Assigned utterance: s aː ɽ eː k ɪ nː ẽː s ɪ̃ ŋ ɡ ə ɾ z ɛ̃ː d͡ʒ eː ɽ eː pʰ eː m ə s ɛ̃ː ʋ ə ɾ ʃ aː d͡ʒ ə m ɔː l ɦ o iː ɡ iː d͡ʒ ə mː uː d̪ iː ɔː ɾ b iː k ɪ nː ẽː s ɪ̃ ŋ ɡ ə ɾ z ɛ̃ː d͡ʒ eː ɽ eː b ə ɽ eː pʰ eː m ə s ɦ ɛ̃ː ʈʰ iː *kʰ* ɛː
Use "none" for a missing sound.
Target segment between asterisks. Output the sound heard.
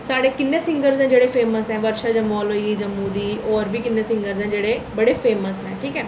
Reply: k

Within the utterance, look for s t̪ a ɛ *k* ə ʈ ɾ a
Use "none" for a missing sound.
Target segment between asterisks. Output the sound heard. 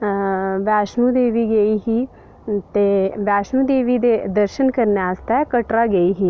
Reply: k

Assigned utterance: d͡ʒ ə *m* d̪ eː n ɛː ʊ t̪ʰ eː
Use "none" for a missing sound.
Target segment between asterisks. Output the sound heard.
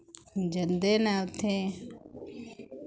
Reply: n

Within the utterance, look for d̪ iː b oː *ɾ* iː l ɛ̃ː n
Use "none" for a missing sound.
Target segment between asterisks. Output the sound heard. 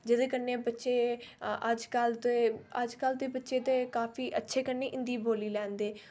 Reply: l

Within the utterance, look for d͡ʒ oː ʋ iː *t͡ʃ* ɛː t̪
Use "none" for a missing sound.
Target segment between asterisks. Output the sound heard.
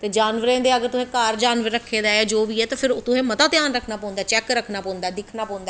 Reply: none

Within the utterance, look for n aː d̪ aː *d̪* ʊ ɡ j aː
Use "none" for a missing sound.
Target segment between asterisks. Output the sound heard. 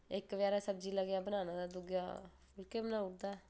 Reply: d̪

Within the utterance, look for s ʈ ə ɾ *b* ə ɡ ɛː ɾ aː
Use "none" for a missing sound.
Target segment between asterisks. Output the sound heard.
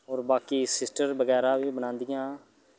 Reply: b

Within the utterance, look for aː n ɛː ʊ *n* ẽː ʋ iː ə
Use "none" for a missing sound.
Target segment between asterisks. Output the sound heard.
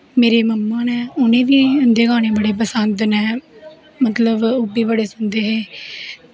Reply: n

